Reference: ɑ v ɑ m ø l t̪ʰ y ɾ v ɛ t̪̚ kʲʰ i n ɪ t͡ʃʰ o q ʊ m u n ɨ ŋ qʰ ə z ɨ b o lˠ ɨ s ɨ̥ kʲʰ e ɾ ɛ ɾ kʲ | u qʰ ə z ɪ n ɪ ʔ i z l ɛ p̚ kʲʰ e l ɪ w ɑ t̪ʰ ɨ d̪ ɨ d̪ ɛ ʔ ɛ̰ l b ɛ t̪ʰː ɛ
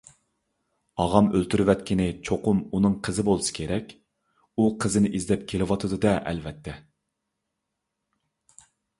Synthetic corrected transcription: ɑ ʁ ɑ m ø l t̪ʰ y ɾ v ɛ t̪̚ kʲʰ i n ɪ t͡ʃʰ o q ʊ m u n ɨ ŋ qʰ ə z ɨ b o lˠ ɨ s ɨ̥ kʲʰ e ɾ ɛ kʲ | u qʰ ə z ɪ n ɪ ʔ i z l ɛ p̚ kʲʰ e l ɪ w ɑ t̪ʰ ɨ d̪ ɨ d̪ ɛ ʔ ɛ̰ l v ɛ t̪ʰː ɛ